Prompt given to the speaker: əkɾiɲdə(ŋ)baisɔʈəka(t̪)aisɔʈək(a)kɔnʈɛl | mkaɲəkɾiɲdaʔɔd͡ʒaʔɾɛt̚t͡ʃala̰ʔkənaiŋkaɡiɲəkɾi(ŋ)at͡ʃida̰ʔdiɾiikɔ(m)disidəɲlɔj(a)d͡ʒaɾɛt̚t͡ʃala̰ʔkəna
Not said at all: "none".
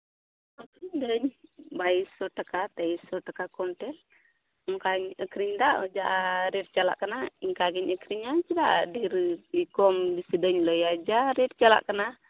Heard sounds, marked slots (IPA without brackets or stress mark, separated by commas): ɲ, t̪, a, ɲ, m, a